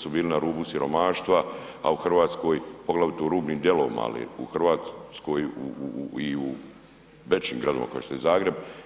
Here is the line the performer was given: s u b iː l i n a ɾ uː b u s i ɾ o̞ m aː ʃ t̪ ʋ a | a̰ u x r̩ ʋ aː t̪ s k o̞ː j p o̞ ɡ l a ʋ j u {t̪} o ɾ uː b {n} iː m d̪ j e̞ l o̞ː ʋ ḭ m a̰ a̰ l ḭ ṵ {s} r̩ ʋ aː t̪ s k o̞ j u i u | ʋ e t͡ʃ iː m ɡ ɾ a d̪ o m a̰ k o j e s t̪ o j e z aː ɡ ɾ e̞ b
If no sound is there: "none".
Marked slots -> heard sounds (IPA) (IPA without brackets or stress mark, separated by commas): t̪, n, x